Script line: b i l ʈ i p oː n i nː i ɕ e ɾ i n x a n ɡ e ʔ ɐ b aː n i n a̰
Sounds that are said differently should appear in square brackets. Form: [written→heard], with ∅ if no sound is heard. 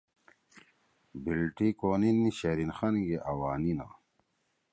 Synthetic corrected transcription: b i l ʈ i [p→k] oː n i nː i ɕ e ɾ i n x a n ɡ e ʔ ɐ [b→w] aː n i n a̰